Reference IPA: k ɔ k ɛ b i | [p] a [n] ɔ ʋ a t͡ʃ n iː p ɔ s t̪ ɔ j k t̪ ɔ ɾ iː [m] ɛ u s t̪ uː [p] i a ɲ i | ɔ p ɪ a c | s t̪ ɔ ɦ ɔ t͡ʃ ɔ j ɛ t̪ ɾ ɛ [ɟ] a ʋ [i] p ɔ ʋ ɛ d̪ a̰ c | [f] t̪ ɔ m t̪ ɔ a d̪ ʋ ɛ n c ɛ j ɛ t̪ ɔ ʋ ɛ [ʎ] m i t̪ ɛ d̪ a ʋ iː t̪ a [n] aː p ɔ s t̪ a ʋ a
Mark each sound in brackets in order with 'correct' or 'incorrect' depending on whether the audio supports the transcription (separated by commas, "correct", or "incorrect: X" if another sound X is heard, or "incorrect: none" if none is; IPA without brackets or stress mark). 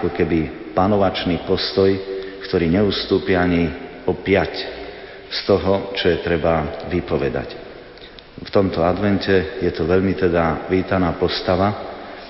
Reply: correct, correct, incorrect: ɲ, correct, incorrect: b, correct, correct, correct, correct